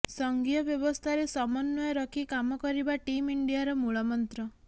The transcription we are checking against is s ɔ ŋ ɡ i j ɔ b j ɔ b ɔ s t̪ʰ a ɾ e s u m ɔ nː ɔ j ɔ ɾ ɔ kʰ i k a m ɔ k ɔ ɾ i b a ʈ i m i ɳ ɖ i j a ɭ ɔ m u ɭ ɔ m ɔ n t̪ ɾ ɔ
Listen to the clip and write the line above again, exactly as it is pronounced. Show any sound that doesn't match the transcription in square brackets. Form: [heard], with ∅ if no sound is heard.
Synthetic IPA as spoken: s ɔ ŋ ɡ i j ɔ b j ɔ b ɔ s t̪ʰ a ɾ e s [ɔ] m ɔ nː ɔ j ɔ ɾ ɔ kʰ i k a m ɔ k ɔ ɾ i b a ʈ i m i ɳ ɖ i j a [ɾ] ɔ m u ɭ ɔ m ɔ n t̪ ɾ ɔ

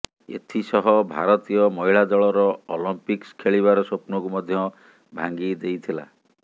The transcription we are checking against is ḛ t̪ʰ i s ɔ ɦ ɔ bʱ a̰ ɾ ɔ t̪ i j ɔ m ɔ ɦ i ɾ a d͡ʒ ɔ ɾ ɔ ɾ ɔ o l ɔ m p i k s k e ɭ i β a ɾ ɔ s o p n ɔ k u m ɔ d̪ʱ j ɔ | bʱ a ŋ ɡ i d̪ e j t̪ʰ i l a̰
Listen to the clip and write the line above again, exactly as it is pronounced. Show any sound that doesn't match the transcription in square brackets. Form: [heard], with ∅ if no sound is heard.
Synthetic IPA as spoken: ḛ t̪ʰ i s ɔ ɦ ɔ bʱ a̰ ɾ ɔ t̪ i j ɔ m ɔ ɦ i [ɭ] a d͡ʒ ɔ [ɭ] ɔ ɾ ɔ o l ɔ m p i k s [kʰ] e ɭ i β a ɾ ɔ s o p n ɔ k u m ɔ d̪ʱ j ɔ | bʱ a ŋ ɡ i d̪ e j t̪ʰ i l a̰

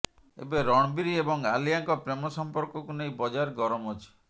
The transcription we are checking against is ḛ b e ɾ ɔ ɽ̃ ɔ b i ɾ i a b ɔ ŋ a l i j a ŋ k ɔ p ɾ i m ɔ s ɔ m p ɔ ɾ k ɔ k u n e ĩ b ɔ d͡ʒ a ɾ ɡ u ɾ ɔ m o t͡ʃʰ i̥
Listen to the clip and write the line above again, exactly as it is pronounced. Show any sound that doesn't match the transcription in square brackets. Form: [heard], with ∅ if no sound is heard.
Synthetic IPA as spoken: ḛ b e ɾ ɔ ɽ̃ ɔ b i ɾ i [e] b ɔ ŋ a l i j a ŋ k ɔ p ɾ [e] m ɔ s ɔ m p ɔ ɾ k ɔ k u n e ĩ b ɔ d͡ʒ a ɾ ɡ [ɔ] ɾ ɔ m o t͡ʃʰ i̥

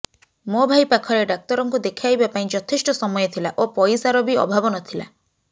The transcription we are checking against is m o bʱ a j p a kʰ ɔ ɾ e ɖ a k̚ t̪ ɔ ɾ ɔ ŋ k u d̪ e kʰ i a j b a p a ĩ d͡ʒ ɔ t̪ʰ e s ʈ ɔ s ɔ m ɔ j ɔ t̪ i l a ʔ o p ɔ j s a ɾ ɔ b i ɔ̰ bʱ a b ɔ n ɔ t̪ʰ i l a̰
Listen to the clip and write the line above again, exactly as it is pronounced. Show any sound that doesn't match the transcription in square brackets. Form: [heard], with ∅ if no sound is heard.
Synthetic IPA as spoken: m o bʱ a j p a kʰ ɔ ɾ e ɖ a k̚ t̪ ɔ ɾ ɔ ŋ k u d̪ e kʰ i a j b a p a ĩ d͡ʒ ɔ t̪ʰ e s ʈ ɔ s ɔ m ɔ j ɔ [t̪ʰ] i l a ʔ o p ɔ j s a ɾ ɔ b i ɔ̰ bʱ a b ɔ n ɔ t̪ʰ i l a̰

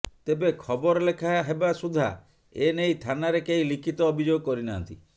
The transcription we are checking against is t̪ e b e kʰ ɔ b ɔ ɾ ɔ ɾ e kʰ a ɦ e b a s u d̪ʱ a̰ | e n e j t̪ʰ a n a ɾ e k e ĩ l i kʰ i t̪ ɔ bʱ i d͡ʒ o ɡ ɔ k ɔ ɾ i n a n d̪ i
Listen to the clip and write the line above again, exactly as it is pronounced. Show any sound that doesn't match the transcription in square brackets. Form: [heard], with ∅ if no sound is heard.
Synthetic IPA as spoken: t̪ e b e kʰ ɔ b ɔ ɾ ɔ [l] e kʰ a ɦ e b a s u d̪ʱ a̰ | e n e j t̪ʰ a n a ɾ e k e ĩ l i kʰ i t̪ [ɔː] bʱ i d͡ʒ o ɡ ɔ k ɔ ɾ i n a n [t̪] i

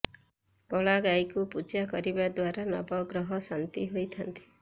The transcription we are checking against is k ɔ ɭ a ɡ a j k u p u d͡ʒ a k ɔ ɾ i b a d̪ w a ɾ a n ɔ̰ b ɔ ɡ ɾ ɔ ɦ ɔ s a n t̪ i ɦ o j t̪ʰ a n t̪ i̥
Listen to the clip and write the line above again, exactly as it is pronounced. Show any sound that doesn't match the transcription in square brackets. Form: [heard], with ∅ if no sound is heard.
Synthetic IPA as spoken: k ɔ ɭ a ɡ a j k u p u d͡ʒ a k ɔ ɾ i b a d̪ w a ɾ a n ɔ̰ b ɔ ɡ ɾ ɔ ɦ ɔ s a n t̪ i ɦ o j t̪ʰ a n t̪ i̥

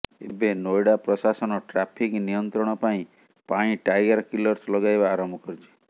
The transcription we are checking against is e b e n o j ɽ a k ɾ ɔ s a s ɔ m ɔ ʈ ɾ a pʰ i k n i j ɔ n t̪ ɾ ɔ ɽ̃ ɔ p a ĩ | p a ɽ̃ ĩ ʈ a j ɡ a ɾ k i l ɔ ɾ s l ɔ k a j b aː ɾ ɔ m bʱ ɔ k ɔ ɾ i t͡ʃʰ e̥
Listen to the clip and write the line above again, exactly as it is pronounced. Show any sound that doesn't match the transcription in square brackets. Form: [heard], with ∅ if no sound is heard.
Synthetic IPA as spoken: e b e n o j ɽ a [p] ɾ ɔ s a s ɔ [n] ɔ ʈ ɾ a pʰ i k n i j ɔ n t̪ ɾ ɔ ɽ̃ ɔ p a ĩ | p a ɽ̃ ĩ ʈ a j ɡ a ɾ k i l ɔ ɾ s l ɔ [ɡ] a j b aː ɾ ɔ m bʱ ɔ k ɔ ɾ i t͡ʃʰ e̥

